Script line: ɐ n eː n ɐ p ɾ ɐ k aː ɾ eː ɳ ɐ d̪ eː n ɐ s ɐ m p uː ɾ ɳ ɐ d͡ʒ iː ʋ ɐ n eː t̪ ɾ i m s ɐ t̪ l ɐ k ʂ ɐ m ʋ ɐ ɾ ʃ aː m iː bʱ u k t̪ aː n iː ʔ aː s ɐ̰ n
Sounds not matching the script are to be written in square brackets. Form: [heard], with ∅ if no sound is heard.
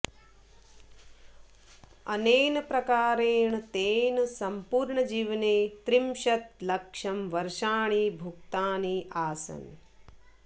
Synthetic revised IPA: ɐ n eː n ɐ p ɾ ɐ k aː ɾ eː ɳ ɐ [t̪] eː n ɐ s ɐ m p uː ɾ ɳ ɐ d͡ʒ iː ʋ ɐ n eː t̪ ɾ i m [ʃ] ɐ t̪ l ɐ k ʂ ɐ m ʋ ɐ ɾ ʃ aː [ɳ] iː bʱ u k t̪ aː n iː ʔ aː s ɐ̰ n